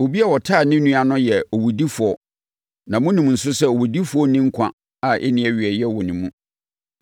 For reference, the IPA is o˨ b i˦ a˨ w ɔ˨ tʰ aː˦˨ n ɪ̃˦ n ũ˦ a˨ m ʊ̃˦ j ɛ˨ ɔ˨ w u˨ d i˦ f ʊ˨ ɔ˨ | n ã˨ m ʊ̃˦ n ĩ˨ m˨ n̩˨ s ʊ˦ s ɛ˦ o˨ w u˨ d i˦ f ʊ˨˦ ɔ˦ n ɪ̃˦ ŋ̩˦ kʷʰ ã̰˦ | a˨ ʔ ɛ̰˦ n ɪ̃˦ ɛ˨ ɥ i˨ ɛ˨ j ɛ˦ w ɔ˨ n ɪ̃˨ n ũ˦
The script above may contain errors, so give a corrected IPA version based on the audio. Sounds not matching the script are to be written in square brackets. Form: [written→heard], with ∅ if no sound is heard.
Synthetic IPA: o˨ b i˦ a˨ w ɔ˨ tʰ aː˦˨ n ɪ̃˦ n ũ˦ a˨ [m→n] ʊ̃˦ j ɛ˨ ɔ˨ w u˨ d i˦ f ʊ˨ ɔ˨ | n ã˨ m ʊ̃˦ n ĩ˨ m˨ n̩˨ s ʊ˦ s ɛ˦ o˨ w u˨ d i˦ f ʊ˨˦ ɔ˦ n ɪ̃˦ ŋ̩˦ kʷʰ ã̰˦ | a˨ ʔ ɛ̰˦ n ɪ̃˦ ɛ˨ ɥ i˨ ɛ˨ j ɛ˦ w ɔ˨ n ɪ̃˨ [n→m] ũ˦